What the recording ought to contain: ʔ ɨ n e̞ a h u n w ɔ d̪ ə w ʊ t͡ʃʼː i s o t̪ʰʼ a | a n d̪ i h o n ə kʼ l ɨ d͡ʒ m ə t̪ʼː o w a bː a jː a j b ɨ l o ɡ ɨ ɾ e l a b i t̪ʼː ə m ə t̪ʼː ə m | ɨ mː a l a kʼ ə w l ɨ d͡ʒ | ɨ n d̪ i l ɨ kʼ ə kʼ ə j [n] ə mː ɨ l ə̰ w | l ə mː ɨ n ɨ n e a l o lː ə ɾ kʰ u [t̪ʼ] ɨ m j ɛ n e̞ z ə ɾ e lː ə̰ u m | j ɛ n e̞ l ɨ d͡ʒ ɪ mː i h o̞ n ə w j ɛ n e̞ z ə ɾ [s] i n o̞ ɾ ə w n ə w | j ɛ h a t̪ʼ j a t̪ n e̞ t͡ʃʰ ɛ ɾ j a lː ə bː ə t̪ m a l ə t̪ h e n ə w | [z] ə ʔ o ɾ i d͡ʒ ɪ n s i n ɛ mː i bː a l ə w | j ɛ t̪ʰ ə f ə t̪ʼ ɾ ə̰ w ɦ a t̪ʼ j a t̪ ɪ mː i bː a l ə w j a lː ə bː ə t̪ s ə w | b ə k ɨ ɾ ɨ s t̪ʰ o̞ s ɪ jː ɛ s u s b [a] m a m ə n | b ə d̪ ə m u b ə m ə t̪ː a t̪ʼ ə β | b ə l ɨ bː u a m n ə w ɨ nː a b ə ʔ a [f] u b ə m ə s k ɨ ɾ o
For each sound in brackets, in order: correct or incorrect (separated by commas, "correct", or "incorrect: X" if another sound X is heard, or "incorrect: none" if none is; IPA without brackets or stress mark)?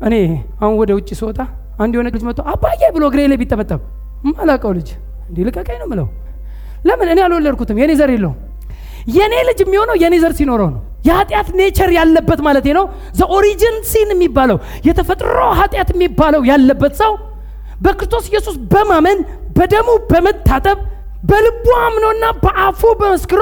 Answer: correct, incorrect: t̪, correct, correct, incorrect: ə, correct